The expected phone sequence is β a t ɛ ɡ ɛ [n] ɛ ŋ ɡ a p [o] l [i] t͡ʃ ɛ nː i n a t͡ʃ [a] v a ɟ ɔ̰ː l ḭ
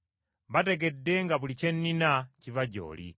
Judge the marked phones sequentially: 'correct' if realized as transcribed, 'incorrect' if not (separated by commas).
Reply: incorrect, incorrect, correct, incorrect